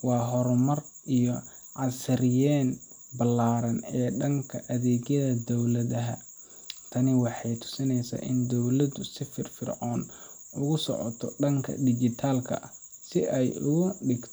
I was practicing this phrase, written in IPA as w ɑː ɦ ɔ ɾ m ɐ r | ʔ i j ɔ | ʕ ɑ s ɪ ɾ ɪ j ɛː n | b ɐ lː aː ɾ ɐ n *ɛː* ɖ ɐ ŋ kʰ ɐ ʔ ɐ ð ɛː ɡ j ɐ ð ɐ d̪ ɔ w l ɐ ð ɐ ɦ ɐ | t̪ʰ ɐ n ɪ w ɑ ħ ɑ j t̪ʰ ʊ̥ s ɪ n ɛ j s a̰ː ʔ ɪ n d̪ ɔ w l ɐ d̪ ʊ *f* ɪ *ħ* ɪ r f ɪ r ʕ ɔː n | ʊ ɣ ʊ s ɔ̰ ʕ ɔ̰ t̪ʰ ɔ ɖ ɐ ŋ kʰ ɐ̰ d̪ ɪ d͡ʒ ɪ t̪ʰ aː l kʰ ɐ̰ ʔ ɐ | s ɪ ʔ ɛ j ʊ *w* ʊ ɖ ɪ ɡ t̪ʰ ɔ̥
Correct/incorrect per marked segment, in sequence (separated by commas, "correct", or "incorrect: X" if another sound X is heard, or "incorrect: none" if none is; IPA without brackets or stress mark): correct, incorrect: s, incorrect: f, incorrect: ɣ